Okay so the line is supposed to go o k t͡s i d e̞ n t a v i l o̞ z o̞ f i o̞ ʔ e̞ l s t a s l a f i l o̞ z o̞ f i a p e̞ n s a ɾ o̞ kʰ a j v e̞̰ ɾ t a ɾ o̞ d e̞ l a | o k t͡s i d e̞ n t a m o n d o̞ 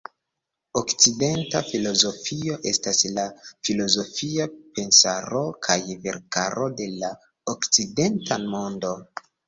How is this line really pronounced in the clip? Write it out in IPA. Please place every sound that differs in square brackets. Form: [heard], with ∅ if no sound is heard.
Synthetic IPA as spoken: o k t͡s i d e̞ n t a [f] i l o̞ z o̞ f i o̞ ʔ e̞ [∅] s t a s l a f i l o̞ z o̞ f i a p e̞ n s a ɾ o̞ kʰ a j v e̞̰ ɾ [k] a ɾ o̞ d e̞ l a | o k t͡s i d e̞ n t a m o n d o̞